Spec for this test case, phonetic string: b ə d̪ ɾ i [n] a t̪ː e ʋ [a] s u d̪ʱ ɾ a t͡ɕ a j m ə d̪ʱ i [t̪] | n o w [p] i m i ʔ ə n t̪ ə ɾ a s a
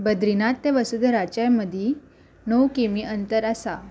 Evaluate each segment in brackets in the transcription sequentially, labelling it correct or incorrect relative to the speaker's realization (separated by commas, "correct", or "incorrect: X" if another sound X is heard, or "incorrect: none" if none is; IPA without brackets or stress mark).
correct, incorrect: ə, incorrect: none, incorrect: k